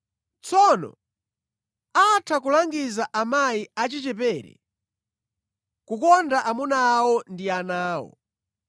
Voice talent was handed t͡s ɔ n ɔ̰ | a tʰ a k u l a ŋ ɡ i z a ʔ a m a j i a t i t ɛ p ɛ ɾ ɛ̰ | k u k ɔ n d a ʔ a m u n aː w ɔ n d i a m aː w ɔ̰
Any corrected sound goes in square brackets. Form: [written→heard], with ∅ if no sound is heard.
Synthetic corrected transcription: t͡s ɔ n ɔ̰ | a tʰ a k u l a ŋ ɡ i z a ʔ a m a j i a [t→t͡ʃ] i [t→t͡ʃ] ɛ p ɛ ɾ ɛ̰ | k u k ɔ n d a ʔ a m u n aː w ɔ n d i a [m→n] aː w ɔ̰